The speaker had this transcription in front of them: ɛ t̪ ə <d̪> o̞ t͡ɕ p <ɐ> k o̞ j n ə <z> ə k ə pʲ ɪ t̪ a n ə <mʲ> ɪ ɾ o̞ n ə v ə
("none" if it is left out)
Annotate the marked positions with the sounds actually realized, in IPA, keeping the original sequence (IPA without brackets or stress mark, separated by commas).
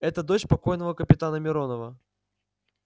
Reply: d̪, ɐ, v, mʲ